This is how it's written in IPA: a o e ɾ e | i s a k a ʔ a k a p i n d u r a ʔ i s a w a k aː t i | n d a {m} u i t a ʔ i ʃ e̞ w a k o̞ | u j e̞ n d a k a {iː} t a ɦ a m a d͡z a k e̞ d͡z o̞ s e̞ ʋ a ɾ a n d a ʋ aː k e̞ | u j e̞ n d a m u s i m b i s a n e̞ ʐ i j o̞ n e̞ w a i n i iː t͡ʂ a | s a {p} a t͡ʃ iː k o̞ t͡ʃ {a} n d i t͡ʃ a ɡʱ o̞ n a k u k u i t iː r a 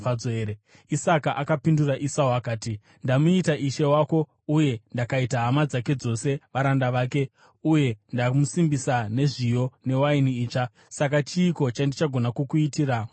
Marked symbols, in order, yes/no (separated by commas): yes, no, no, yes